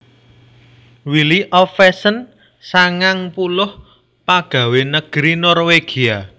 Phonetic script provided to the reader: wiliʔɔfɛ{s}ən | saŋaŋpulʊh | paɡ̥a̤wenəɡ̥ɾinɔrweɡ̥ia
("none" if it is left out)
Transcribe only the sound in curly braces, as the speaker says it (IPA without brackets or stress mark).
s